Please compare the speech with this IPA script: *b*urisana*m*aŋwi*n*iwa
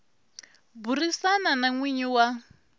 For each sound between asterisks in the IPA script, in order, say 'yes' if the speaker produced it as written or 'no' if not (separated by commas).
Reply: yes, no, no